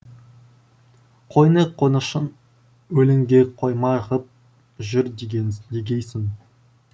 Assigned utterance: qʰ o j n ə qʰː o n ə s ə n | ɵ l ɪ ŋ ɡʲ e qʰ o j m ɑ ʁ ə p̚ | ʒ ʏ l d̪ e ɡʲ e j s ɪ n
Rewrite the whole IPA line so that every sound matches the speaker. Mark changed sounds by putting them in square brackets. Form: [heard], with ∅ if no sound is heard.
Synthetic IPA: qʰ o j n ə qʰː o n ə [ʃ] ə n | ɵ l ɪ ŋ ɡʲ e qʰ o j m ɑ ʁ ə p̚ | ʒ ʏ [ɾ] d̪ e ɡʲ e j s ɪ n